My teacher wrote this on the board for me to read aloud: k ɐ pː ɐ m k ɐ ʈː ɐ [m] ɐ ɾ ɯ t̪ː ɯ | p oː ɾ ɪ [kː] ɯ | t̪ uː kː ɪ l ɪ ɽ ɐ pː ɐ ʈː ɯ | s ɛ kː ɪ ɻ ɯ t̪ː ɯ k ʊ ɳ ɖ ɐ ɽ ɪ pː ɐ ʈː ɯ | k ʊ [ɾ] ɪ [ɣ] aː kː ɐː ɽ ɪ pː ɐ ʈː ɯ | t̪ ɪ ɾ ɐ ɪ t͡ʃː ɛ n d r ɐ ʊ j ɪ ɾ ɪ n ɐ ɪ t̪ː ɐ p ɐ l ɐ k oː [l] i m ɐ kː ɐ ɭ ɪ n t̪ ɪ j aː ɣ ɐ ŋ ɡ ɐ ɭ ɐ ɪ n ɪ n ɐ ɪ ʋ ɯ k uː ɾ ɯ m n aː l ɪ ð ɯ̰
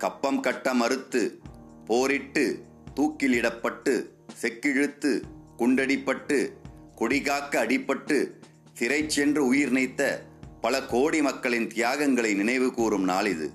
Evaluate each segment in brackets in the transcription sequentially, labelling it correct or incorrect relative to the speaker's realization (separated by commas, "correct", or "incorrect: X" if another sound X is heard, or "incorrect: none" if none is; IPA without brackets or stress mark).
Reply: correct, incorrect: ʈː, incorrect: ɽ, correct, incorrect: ɽ